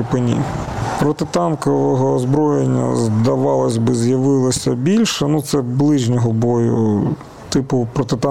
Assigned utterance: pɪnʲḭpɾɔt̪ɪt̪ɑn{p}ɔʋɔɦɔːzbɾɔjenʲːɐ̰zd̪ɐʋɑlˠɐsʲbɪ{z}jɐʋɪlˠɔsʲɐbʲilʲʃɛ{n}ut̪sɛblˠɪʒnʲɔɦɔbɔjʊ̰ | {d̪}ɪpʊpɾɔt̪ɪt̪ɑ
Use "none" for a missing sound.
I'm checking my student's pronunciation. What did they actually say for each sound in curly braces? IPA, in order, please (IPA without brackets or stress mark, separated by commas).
k, z, n, t̪